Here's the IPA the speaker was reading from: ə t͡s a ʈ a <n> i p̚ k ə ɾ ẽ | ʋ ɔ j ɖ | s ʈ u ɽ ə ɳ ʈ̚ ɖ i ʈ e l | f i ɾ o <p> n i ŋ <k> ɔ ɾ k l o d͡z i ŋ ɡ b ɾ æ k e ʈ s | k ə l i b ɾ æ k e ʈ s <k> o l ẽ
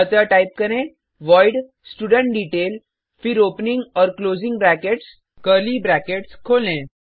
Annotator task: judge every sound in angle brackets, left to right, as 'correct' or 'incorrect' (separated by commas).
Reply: incorrect, correct, incorrect, incorrect